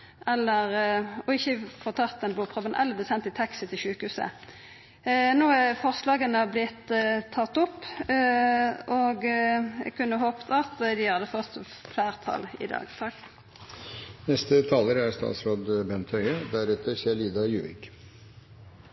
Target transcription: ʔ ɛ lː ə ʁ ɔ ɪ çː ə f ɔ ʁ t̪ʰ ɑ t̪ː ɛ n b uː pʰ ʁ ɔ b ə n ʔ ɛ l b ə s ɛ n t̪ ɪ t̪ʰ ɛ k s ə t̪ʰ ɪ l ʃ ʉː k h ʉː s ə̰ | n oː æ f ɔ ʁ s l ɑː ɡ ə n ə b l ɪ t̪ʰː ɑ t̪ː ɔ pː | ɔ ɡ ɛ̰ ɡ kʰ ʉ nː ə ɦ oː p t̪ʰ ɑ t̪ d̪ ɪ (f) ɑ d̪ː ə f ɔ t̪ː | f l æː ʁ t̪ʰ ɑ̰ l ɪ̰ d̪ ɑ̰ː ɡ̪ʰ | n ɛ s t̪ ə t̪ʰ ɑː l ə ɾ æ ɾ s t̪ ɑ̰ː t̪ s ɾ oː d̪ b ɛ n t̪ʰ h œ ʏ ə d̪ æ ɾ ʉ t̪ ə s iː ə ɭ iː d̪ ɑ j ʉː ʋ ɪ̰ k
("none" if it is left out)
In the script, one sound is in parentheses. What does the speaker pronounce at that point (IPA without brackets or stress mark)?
h